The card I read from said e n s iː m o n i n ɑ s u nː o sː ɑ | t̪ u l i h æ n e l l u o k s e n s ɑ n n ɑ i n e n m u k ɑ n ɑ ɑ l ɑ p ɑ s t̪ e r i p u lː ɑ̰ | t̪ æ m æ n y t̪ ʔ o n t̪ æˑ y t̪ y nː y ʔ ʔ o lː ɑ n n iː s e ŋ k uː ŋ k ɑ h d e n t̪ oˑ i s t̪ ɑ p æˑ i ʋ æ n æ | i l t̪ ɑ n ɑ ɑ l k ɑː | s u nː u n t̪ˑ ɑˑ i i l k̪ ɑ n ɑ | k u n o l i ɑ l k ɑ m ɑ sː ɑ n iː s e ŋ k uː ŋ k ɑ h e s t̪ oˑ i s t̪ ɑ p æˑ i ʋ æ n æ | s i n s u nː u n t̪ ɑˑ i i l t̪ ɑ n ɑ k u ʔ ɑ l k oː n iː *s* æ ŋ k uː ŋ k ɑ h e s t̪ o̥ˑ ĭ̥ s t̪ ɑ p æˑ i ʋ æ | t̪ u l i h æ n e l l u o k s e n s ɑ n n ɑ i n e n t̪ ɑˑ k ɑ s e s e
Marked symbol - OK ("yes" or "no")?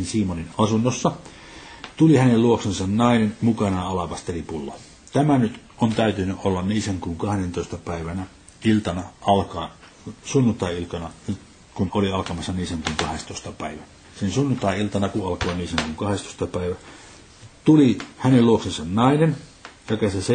yes